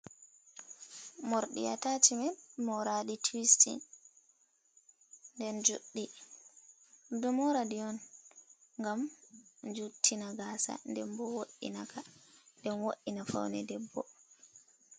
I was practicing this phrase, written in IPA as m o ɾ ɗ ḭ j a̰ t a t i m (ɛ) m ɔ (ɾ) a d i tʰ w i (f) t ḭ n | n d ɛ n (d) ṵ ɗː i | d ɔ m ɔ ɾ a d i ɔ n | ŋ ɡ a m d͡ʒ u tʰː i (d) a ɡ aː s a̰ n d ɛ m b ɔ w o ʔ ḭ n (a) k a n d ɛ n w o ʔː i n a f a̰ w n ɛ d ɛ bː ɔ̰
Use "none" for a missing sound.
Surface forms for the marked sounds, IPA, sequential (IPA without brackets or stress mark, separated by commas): ɛ, ɾ, s, d͡ʒ, n, a